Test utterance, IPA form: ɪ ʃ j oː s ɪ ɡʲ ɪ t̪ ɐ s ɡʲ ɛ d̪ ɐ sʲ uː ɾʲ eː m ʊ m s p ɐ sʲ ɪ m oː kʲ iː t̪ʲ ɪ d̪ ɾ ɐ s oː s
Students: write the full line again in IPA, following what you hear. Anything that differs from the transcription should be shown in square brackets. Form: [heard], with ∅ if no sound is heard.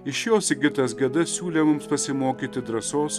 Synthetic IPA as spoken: ɪ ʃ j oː s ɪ ɡʲ ɪ t̪ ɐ s ɡʲ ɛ d̪ ɐ sʲ uː [lʲ] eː m ʊ m s p ɐ sʲ ɪ m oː kʲ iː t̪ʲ ɪ d̪ ɾ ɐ s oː s